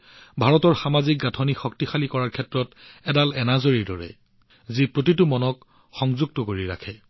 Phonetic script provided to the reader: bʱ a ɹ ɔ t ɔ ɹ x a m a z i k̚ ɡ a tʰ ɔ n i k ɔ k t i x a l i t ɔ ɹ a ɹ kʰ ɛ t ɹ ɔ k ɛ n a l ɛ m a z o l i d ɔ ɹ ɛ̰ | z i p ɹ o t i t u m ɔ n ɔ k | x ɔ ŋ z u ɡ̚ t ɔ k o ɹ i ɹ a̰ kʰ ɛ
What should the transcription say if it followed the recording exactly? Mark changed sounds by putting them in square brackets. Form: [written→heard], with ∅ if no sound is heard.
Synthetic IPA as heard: bʱ a ɹ ɔ t ɔ ɹ x a m a z i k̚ ɡ a tʰ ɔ n i [k→x] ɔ k t i x a l i [t→k] ɔ ɹ a ɹ kʰ ɛ t ɹ ɔ [k→t] ɛ [n→d] a l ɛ [m→n] a z o [l→ɹ] i d ɔ ɹ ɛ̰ | z i p ɹ o t i t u m ɔ n ɔ k | x ɔ ŋ z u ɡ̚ t ɔ k o ɹ i ɹ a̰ kʰ ɛ